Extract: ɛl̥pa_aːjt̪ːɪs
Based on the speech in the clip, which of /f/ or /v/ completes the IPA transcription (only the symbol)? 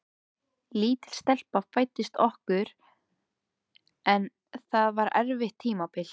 f